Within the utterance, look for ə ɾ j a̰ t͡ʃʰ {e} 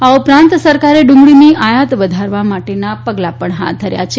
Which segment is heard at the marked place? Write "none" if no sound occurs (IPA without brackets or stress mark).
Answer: e